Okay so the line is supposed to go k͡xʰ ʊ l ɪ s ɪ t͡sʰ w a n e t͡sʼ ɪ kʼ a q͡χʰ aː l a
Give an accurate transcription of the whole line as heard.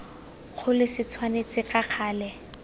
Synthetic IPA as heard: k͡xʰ ʊ l ɪ s ɪ t͡sʰ w a n e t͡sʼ ɪ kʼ a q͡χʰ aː l ɛ